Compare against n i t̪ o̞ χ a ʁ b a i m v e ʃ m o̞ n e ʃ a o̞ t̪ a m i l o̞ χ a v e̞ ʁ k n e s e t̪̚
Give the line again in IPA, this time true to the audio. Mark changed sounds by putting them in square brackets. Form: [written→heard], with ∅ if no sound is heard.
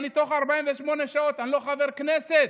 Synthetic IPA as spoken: n i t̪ o̞ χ a ʁ b a i m v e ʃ m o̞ n e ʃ a o̞ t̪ a [m→n] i l o̞ χ a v e̞ ʁ k n e s e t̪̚